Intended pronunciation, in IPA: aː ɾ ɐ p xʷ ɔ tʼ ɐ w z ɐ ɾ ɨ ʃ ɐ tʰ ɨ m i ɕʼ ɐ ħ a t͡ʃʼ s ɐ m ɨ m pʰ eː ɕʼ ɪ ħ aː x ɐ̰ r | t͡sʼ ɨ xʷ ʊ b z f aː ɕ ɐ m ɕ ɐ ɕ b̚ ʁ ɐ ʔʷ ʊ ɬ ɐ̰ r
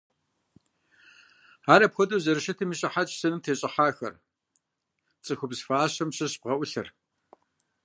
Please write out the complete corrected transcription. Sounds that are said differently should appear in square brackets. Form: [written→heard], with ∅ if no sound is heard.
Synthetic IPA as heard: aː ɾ ɐ p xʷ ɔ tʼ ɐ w z ɐ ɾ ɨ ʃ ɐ tʰ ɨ m i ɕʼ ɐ ħ a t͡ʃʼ s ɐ [m→n] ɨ m [pʰ→tʰ] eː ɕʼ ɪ ħ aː x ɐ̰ r | t͡sʼ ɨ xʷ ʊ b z f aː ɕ ɐ m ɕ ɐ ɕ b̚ ʁ ɐ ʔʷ ʊ ɬ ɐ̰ r

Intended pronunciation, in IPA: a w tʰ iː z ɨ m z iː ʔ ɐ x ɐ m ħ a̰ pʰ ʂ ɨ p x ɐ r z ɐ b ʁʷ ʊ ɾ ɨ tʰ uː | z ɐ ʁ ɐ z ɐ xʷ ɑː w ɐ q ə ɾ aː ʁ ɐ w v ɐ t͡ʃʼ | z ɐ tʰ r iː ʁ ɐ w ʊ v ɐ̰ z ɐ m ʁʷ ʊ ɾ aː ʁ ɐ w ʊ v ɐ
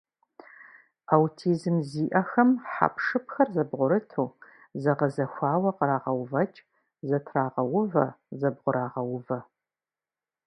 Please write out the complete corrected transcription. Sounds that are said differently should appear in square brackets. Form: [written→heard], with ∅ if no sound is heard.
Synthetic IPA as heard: a w tʰ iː z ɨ m z iː ʔ ɐ x ɐ m ħ a̰ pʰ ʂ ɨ p x ɐ r z ɐ b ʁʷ ʊ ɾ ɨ tʰ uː | z ɐ ʁ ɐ z ɐ xʷ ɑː w ɐ q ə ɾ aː ʁ ɐ w v ɐ t͡ʃʼ | z ɐ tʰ r [iː→aː] ʁ ɐ w ʊ v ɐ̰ z ɐ [m→b] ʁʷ ʊ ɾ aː ʁ ɐ w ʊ v ɐ

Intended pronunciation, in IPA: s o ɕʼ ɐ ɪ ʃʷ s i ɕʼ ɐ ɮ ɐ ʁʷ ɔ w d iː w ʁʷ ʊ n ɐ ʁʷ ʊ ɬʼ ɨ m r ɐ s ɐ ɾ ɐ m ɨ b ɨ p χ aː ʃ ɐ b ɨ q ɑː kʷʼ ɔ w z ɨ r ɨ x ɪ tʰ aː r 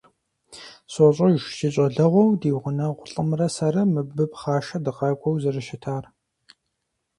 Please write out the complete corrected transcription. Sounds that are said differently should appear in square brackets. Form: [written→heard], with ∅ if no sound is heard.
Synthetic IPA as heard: s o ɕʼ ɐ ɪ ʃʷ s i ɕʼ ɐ ɮ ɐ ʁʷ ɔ w d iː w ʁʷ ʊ n ɐ ʁʷ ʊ ɬʼ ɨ m r ɐ s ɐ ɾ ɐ m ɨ b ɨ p χ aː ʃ ɐ [b→d] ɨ q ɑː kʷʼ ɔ w z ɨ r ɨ [x→ʃ] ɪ tʰ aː r

